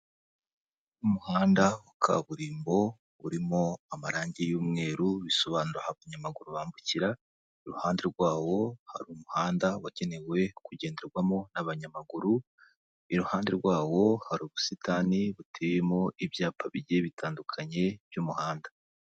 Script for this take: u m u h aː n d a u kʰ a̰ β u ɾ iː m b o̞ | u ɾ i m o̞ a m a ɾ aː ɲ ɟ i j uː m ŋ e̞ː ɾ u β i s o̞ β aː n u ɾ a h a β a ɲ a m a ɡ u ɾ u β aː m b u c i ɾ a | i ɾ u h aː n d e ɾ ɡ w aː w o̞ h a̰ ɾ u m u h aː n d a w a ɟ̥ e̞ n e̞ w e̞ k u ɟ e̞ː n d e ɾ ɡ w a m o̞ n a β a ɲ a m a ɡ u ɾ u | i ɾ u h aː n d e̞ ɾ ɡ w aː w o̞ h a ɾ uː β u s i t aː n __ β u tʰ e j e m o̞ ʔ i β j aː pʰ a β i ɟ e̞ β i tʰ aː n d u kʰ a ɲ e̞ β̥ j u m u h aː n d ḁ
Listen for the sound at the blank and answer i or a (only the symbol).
i